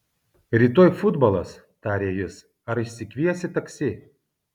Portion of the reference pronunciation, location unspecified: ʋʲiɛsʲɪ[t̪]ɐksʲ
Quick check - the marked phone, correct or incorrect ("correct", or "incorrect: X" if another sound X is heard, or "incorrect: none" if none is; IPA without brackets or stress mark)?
correct